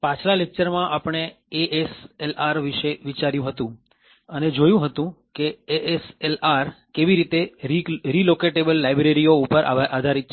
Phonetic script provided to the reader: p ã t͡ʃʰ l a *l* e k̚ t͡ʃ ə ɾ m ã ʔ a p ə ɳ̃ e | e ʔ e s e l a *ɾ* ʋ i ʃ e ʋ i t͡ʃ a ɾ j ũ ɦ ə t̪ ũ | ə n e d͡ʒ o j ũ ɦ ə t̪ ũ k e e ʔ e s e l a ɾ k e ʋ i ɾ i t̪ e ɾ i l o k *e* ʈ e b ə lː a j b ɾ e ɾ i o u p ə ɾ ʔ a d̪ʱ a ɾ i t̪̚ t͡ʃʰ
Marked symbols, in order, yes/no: yes, yes, yes

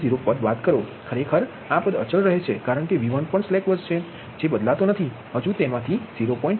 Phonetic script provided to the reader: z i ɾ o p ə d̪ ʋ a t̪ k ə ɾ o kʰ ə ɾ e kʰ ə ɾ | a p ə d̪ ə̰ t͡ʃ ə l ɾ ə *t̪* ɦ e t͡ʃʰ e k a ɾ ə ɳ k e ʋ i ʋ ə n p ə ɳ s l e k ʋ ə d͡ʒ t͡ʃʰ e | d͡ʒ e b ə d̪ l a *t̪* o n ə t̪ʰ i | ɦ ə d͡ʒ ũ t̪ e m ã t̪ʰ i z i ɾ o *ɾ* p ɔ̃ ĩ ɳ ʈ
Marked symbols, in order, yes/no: no, yes, no

